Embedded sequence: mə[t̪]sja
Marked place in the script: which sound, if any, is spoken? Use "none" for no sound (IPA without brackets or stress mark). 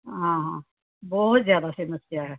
none